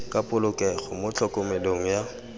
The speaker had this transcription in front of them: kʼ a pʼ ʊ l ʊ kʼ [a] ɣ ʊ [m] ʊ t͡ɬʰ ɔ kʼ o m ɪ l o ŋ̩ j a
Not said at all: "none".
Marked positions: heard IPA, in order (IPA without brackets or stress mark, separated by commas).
ɛ, m